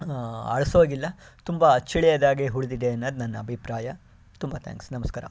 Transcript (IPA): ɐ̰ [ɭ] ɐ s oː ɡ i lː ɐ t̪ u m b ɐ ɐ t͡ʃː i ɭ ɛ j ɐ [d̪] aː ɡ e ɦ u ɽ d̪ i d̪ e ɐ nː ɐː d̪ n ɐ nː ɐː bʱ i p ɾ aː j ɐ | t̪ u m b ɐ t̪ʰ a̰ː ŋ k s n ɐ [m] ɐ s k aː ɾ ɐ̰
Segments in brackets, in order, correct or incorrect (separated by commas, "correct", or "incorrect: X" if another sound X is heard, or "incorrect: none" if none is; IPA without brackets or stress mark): correct, correct, correct